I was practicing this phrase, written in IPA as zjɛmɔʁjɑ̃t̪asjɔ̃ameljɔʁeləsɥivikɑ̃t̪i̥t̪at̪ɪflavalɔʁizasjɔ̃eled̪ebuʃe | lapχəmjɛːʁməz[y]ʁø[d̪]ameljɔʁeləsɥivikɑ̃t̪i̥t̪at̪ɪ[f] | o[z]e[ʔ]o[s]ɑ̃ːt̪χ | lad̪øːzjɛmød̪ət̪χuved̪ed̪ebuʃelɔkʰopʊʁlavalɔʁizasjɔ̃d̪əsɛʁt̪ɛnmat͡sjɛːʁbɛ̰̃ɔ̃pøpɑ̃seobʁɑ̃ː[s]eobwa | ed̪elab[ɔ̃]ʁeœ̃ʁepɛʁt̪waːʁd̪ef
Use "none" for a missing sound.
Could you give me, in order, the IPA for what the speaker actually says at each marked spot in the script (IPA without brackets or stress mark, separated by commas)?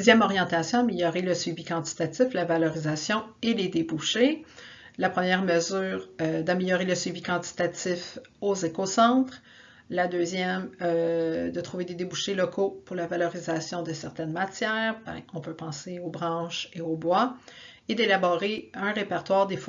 yː, d̪, f, z, k, s, ʃ, ɔ